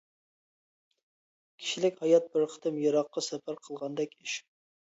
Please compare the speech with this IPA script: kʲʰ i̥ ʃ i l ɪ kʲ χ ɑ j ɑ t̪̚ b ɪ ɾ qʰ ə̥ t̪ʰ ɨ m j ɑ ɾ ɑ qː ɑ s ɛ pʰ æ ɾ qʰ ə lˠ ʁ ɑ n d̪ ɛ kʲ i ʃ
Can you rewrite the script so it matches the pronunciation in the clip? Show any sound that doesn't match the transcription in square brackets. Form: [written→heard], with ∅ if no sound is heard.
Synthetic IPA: kʲʰ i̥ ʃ i l ɪ kʲ [χ→h] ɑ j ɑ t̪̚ b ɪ ɾ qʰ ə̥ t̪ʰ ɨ m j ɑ ɾ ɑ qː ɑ s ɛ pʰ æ ɾ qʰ ə lˠ ʁ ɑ n d̪ ɛ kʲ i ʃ

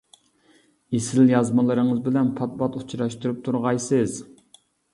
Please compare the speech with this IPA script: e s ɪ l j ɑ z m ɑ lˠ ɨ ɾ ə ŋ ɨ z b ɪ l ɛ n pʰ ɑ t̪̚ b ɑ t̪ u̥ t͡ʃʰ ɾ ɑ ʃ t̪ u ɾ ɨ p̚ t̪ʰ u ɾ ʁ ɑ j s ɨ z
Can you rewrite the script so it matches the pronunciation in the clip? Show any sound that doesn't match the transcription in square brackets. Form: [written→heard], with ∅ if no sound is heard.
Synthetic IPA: e s ɪ l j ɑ z m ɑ lˠ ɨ ɾ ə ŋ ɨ z b ɪ l ɛ n pʰ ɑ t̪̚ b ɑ t̪ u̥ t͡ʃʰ ɾ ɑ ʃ t̪ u ɾ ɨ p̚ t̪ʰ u ɾ ʁ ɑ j s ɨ z

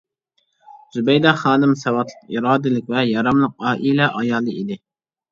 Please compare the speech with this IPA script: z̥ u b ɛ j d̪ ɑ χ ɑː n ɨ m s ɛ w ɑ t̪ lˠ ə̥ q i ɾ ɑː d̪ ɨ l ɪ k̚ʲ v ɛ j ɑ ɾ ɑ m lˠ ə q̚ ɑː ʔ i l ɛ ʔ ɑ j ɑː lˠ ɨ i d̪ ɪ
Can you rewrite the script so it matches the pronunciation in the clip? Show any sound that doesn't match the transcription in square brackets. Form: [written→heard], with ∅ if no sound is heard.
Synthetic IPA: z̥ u b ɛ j d̪ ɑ χ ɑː n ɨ m s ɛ w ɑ t̪ lˠ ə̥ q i ɾ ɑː d̪ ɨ l ɪ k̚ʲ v ɛ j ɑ ɾ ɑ m lˠ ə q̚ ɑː ʔ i l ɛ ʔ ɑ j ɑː lˠ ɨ i d̪ ɪ

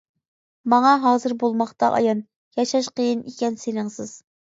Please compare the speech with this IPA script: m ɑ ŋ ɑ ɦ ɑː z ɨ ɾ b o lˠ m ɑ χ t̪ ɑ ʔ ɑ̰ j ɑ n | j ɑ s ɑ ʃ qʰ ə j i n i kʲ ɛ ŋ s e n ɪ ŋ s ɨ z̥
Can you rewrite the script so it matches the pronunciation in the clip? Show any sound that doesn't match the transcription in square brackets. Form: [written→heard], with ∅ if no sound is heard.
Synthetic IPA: m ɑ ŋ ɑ ɦ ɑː z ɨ ɾ b o lˠ m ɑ χ t̪ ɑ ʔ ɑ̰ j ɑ n | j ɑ [s→ʃ] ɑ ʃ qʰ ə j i n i kʲ ɛ [ŋ→n] s e n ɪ ŋ s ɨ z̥

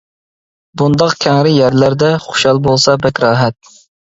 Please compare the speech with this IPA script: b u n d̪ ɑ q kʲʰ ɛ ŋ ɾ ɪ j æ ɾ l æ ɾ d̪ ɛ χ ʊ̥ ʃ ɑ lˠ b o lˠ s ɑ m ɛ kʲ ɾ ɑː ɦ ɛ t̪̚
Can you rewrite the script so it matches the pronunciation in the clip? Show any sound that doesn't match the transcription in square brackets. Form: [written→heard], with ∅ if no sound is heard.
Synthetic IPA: b u n d̪ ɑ q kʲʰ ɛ ŋ ɾ ɪ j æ ɾ l æ ɾ d̪ ɛ χ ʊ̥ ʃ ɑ lˠ b o lˠ s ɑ [m→b] ɛ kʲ ɾ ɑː ɦ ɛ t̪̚

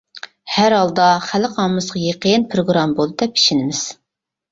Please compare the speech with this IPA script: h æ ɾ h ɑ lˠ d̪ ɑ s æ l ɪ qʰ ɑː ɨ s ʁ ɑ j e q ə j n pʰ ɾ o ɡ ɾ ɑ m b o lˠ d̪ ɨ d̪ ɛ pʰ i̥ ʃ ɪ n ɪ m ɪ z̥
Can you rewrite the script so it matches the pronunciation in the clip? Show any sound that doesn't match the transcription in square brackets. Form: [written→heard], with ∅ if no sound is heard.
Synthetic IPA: h æ ɾ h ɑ lˠ d̪ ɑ [s→χ] æ l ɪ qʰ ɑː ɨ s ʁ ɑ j e q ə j n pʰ ɾ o ɡ ɾ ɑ m b o lˠ d̪ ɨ d̪ ɛ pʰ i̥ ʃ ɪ n ɪ m ɪ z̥

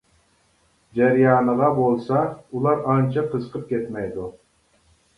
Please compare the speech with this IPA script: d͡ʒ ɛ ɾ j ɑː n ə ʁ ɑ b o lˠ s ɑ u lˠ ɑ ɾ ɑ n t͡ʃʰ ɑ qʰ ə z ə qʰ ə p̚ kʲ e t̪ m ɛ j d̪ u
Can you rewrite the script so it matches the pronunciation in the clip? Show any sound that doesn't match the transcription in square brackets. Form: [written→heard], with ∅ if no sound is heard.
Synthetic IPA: d͡ʒ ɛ ɾ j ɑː n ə ʁ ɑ b o lˠ s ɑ u lˠ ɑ ɾ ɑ n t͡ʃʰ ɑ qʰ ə z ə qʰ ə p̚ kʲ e t̪ m ɛ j d̪ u

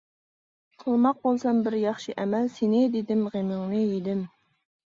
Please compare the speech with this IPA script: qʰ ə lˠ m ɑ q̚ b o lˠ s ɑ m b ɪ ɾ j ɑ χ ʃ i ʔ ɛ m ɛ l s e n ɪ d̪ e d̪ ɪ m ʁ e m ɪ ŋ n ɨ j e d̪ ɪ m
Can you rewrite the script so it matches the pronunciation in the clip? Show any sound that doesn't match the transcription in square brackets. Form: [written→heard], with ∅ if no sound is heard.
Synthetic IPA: qʰ ə lˠ m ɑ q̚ b o lˠ s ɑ m b ɪ ɾ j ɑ χ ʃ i ʔ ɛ m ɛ l s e n ɪ d̪ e d̪ ɪ m ʁ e m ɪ ŋ n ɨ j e d̪ ɪ m

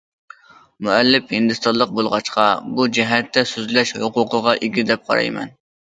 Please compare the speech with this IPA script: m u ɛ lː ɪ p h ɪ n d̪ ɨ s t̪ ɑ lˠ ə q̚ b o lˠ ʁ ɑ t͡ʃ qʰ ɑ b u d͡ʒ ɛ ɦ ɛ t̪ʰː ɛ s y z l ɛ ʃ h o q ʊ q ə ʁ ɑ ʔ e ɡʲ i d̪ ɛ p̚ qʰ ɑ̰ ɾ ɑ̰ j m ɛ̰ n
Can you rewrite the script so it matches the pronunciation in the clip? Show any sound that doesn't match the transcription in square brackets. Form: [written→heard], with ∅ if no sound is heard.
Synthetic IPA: m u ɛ lː ɪ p h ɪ n d̪ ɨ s t̪ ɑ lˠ ə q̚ b o lˠ ʁ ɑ t͡ʃ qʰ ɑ b u d͡ʒ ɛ ɦ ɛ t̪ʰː ɛ s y z l ɛ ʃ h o q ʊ q ə ʁ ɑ ʔ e ɡʲ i d̪ ɛ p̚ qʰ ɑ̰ ɾ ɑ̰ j m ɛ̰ n

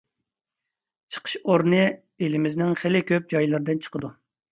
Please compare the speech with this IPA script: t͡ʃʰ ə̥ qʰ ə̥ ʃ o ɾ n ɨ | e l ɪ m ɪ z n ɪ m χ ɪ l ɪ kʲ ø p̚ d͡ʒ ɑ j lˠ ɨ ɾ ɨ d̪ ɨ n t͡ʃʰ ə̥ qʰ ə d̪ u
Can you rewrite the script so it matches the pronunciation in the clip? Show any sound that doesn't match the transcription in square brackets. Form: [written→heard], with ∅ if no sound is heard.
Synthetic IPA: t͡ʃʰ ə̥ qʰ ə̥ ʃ o ɾ n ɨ | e l ɪ m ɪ z n ɪ [m→ŋ] χ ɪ l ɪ kʲ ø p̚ d͡ʒ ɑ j lˠ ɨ ɾ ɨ d̪ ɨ n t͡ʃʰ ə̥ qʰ ə d̪ u

